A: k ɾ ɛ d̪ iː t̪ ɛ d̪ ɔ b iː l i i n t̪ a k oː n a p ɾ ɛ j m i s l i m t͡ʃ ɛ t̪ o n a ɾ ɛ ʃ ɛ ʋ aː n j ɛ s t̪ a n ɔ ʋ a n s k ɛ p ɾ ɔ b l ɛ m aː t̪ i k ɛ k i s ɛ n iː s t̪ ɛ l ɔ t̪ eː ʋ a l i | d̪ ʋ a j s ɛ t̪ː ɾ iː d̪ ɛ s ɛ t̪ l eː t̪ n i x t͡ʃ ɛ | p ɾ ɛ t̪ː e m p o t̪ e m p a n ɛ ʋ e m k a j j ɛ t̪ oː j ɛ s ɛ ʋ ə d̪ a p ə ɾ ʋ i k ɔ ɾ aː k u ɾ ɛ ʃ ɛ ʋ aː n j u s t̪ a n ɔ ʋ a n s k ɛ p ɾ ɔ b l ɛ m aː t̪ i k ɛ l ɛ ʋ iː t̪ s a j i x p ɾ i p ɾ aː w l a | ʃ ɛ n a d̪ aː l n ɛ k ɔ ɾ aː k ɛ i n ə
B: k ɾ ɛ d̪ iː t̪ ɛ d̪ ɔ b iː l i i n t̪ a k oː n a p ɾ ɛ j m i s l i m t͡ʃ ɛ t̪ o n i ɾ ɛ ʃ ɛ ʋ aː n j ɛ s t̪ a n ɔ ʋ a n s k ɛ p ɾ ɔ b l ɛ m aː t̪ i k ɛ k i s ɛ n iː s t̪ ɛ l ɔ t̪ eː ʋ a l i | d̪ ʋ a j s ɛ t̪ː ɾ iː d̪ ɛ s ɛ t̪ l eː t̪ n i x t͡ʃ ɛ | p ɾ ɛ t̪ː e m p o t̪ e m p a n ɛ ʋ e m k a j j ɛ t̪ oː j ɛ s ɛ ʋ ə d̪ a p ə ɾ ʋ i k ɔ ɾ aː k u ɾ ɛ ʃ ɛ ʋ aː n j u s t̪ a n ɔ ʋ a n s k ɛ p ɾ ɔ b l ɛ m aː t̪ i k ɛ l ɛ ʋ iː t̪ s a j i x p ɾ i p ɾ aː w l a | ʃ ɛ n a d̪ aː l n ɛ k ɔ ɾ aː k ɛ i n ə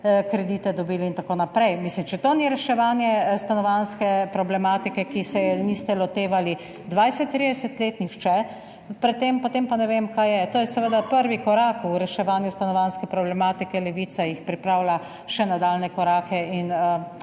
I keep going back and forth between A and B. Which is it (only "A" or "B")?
B